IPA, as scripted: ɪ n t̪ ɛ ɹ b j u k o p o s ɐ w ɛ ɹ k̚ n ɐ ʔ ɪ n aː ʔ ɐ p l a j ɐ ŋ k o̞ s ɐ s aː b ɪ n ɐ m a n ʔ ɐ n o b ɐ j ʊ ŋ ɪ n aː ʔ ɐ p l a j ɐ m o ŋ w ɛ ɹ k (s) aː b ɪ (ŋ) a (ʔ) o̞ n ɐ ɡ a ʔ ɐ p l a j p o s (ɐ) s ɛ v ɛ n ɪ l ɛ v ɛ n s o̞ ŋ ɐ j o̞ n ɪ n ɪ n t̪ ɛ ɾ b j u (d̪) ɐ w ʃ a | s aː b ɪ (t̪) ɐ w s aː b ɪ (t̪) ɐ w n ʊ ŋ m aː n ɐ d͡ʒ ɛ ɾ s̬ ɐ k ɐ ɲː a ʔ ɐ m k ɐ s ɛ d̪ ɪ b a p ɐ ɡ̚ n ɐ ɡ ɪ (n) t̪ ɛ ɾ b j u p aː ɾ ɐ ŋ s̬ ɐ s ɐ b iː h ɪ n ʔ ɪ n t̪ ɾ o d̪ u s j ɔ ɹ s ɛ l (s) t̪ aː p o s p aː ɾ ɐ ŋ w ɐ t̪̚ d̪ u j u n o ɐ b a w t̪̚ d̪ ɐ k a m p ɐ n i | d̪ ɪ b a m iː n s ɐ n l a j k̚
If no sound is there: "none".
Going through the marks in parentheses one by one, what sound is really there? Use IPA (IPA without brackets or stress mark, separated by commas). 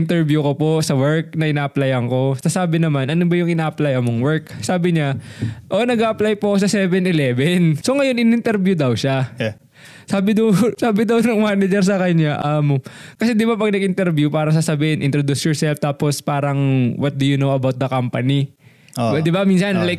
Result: s, ɲ, ʔ, ɐ, d̪, d̪, d̪, n, f